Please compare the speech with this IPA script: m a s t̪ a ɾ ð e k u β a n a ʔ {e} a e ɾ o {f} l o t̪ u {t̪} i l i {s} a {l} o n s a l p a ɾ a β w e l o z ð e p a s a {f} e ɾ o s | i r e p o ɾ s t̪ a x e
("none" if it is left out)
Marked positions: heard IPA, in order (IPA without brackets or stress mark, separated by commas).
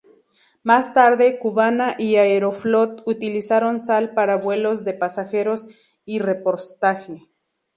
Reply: i, f, t̪, s, ɾ, x